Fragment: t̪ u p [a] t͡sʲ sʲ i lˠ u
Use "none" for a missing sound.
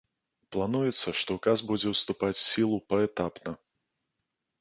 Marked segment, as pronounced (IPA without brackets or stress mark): a